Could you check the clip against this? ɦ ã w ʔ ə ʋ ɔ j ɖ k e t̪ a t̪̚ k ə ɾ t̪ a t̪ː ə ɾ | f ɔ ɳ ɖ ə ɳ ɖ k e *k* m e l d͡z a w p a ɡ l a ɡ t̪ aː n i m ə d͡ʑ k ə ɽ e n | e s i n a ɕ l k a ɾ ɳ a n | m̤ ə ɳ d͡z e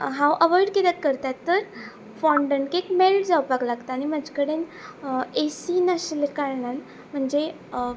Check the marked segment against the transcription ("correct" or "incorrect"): correct